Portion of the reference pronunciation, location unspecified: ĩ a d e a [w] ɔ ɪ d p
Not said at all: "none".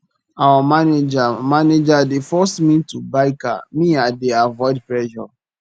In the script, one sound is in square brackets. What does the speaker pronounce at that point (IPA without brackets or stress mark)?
v